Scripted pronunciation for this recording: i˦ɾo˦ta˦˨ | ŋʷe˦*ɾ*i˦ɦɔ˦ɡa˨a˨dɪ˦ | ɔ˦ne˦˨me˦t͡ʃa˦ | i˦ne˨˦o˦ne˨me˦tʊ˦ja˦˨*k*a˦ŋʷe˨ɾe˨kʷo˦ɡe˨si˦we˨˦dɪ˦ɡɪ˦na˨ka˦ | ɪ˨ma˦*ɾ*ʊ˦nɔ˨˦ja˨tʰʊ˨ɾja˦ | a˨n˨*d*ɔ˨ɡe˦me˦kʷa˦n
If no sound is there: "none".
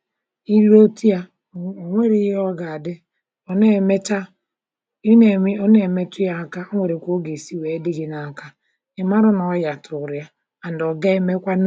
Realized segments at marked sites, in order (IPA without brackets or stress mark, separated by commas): ɾ, k, ɾ, d